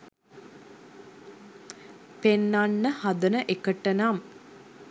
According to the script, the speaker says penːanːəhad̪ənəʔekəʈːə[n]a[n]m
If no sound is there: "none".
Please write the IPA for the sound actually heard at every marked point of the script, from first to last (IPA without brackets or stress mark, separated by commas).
n, none